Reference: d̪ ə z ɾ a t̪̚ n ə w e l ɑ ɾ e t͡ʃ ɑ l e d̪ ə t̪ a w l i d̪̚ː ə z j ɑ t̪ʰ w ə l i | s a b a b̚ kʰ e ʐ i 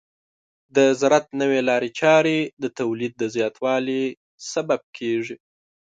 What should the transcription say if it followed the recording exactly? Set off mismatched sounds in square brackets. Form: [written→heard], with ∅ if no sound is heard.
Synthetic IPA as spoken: d̪ ə z ɾ a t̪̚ n ə w e l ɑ ɾ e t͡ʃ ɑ [l→ɾ] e d̪ ə t̪ a w l i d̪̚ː ə z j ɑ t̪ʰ w [ə→ɑ] l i | s a b a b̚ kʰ e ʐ i